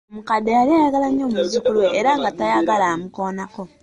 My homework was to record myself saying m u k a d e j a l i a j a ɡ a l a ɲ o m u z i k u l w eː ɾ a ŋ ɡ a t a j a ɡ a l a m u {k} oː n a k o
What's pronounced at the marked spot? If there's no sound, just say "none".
k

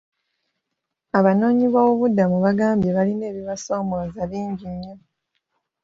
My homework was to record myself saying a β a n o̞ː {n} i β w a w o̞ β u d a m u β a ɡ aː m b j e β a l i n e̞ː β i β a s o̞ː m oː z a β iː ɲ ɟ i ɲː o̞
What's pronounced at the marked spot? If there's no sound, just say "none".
ɲ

